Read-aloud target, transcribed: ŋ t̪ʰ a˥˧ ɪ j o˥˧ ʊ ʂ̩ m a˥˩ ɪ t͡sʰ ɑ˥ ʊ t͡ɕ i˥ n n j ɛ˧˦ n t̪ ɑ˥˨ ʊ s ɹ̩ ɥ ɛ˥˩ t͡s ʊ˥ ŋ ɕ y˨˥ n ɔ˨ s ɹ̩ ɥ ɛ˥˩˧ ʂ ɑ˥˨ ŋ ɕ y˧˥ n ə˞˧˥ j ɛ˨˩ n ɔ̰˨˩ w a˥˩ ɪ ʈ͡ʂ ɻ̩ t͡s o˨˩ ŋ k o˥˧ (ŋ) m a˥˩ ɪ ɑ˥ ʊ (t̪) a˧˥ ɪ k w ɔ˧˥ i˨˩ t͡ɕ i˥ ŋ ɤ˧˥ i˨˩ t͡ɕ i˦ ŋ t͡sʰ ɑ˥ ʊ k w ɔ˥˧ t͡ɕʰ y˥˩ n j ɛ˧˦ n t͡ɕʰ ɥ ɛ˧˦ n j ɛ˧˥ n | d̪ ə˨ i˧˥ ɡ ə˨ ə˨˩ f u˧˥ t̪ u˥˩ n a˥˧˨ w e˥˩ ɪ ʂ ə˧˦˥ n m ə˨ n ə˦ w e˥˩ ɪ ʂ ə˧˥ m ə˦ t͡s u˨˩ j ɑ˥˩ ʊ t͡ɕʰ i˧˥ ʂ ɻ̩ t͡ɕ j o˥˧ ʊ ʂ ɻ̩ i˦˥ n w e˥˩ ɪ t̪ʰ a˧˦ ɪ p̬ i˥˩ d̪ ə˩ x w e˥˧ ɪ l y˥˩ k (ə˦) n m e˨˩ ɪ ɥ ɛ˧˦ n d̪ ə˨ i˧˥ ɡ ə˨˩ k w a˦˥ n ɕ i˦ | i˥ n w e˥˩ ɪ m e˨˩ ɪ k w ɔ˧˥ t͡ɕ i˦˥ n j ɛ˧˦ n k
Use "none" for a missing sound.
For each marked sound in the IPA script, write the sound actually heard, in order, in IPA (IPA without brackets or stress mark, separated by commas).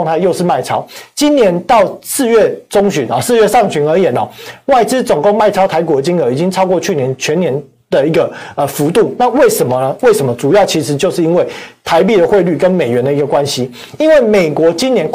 ŋ, t̪ʰ, ə˦